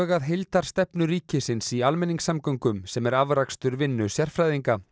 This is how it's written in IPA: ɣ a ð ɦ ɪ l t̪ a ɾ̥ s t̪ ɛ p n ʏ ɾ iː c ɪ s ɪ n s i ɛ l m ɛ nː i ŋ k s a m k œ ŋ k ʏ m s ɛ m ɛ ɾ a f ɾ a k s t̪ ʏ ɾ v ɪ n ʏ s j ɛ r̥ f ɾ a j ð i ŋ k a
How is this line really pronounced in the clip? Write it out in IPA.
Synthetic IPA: ɣ a ð ɦ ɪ l t̪ a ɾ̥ s t̪ ɛ p n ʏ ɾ iː c ɪ s ɪ n s i a l m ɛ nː i ŋ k s a m k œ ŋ k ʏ m s ɛ m ɛ ɾ a v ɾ a k s t̪ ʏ ɾ v ɪ nː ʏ s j ɛ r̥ f ɾ a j ð i ŋ k a